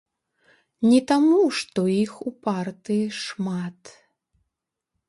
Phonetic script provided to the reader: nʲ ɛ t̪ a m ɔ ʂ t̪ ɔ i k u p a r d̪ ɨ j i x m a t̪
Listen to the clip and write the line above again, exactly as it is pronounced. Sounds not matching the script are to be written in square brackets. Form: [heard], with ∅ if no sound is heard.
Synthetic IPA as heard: nʲ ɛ t̪ a m [u] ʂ t̪ ɔ i [x] u p a r [t̪] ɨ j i [ʂ] m a t̪